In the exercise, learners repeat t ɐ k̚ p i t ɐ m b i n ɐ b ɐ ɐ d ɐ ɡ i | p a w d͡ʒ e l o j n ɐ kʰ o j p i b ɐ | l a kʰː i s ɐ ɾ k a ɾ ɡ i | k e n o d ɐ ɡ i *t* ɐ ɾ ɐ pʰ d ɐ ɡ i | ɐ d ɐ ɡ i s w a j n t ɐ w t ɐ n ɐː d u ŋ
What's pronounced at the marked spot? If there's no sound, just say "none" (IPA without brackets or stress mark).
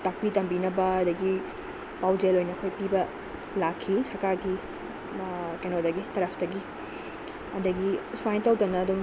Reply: t